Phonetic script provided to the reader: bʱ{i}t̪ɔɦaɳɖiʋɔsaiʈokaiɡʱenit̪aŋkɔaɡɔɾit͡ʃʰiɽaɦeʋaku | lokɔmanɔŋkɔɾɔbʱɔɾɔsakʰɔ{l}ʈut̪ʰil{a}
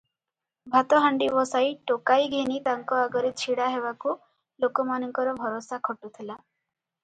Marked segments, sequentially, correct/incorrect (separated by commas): incorrect, incorrect, correct